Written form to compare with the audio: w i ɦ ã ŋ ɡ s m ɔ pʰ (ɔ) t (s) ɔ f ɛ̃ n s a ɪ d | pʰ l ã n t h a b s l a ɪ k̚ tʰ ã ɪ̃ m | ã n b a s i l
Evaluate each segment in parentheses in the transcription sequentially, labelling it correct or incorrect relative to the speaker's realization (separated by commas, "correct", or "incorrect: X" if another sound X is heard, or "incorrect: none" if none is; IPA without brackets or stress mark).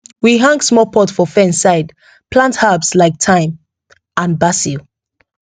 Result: correct, incorrect: f